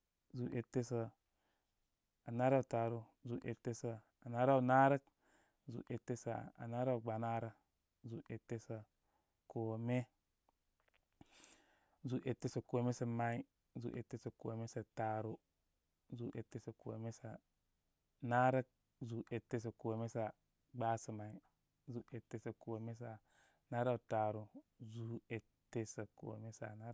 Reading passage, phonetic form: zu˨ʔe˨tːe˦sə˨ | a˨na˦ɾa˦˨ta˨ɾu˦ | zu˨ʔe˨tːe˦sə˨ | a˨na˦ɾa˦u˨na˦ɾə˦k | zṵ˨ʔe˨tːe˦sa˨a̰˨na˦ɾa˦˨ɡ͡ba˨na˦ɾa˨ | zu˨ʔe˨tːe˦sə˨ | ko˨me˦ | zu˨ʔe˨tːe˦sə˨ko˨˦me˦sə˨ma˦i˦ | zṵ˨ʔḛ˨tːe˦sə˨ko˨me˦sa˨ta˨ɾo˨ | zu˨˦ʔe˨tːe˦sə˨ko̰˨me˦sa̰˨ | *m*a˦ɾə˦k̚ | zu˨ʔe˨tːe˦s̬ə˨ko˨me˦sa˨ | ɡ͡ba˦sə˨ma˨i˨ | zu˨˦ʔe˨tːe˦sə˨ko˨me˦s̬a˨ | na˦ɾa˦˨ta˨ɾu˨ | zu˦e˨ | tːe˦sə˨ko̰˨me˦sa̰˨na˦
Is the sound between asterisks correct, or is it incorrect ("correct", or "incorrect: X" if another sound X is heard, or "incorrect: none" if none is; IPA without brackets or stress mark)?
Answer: incorrect: n